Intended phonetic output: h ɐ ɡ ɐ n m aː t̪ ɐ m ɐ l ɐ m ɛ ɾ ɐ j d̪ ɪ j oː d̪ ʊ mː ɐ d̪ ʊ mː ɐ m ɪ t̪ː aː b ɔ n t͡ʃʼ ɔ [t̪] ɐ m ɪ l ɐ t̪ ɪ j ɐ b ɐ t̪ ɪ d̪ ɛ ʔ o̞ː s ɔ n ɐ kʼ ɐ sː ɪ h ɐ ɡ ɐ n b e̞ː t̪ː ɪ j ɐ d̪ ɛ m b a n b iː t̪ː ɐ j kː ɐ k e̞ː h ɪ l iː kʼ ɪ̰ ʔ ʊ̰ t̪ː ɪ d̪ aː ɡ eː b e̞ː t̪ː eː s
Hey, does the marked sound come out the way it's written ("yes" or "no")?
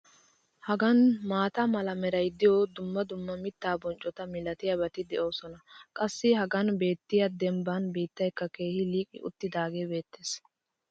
yes